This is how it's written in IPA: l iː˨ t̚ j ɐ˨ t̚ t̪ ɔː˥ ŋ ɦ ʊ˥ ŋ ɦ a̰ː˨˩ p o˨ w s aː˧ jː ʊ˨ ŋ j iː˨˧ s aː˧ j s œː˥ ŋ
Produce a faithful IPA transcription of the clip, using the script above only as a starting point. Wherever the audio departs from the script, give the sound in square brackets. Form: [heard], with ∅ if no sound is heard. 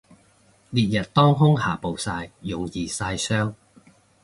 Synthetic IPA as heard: l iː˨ t̚ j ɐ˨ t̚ t̪ ɔː˥ ŋ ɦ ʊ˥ ŋ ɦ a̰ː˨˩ p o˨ w s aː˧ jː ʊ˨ ŋ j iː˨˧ s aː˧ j s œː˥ ŋ